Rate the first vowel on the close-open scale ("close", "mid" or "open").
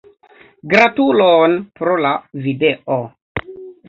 open